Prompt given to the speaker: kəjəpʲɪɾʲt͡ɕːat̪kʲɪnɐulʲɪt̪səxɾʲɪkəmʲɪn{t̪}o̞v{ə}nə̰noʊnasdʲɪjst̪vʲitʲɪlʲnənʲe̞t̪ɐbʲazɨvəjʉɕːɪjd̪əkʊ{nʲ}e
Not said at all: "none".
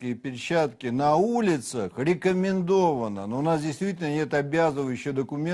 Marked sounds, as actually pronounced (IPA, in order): d̪, ə, mʲ

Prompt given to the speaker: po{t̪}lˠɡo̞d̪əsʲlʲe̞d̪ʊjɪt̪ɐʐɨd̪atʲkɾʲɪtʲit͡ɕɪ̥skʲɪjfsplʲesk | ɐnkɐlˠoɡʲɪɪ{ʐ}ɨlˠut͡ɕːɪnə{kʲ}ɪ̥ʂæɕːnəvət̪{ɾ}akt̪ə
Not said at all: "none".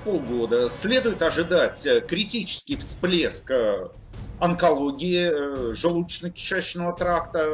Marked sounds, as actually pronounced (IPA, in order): none, ʐ, kʲ, ɾ

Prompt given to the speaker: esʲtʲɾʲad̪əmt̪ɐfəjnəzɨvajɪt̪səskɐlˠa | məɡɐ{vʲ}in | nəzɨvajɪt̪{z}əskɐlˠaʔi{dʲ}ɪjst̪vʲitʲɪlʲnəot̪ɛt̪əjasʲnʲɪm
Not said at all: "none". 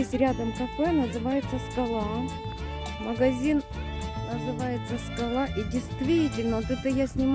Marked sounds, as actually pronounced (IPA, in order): zʲ, s, dʲ

